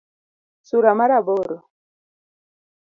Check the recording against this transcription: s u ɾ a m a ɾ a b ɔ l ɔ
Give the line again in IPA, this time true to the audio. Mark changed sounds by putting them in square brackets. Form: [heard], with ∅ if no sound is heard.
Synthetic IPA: s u ɾ a m a ɾ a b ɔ [ɾ] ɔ